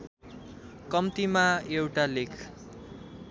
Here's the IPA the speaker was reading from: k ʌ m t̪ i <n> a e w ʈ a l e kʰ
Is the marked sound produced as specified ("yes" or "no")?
no